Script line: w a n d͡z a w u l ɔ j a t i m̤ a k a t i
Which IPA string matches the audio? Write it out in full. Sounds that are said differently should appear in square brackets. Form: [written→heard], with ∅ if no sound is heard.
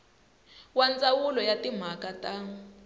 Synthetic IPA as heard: w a n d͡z a w u l ɔ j a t i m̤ a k a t [i→a]